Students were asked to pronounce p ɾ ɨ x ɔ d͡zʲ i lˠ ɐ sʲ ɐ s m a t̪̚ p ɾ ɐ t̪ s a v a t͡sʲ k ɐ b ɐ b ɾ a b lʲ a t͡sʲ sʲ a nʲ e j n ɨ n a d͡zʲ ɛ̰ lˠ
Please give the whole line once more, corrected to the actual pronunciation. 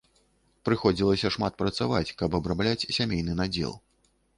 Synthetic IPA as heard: p ɾ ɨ x ɔ d͡zʲ i lˠ ɐ sʲ ɐ ʂ m a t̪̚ p ɾ ɐ t̪ s a v a t͡sʲ k ɐ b ɐ b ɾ a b lʲ a t͡sʲ sʲ a mʲ e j n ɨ n a d͡zʲ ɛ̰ lˠ